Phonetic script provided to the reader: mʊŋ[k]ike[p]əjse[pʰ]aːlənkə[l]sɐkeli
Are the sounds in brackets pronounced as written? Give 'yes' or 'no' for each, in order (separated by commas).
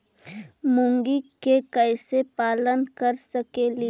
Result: no, no, no, no